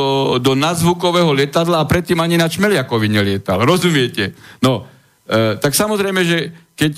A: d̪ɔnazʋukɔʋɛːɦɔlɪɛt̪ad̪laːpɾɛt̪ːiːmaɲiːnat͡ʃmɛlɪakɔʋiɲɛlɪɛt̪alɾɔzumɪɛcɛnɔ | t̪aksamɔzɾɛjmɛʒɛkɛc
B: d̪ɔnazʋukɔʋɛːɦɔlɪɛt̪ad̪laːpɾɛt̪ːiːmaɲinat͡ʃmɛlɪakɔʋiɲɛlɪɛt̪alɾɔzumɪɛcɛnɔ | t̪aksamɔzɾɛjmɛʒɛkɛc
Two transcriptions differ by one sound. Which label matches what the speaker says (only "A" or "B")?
B